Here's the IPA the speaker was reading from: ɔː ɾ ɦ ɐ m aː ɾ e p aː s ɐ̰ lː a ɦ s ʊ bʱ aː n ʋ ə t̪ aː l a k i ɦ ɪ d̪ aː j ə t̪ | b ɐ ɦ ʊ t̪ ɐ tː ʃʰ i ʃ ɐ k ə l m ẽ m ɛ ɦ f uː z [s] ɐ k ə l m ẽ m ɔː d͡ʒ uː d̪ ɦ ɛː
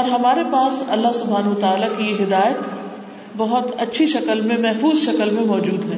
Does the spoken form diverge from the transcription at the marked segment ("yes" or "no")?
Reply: yes